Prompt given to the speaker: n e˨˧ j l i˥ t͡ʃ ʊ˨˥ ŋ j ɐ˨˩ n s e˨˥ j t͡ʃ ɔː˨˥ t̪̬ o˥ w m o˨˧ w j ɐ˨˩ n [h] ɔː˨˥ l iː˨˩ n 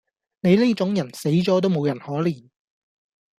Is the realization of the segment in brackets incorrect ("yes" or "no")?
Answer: no